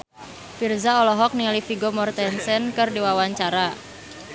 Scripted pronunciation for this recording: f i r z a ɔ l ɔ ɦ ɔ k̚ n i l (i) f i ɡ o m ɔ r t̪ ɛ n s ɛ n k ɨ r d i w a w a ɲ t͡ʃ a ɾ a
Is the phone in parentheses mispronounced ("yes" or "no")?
no